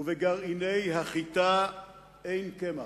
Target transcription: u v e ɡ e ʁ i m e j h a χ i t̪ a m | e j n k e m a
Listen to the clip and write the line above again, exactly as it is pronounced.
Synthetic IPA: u v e ɡ a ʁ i n e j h a χ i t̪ a | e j n k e m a